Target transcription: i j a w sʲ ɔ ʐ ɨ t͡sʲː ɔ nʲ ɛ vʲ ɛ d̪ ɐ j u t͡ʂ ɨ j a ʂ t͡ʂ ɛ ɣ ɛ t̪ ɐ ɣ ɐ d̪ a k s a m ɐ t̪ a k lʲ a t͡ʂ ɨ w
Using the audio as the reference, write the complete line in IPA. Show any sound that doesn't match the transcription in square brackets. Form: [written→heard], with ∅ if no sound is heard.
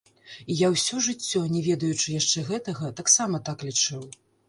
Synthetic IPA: i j a w sʲ ɔ ʐ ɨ t͡sʲː ɔ nʲ ɛ vʲ ɛ d̪ ɐ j u t͡ʂ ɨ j a ʂ t͡ʂ ɛ ɣ ɛ t̪ ɐ ɣ ɐ [d̪→t̪] a k s a m ɐ t̪ a k lʲ [a→i] t͡ʂ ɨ w